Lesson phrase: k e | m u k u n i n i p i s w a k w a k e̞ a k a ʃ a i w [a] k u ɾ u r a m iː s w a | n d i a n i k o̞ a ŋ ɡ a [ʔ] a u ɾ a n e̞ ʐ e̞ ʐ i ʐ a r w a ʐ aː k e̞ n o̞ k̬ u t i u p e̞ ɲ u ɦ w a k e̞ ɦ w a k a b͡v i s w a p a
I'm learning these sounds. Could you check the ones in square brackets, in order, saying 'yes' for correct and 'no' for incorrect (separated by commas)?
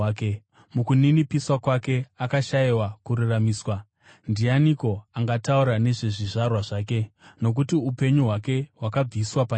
yes, no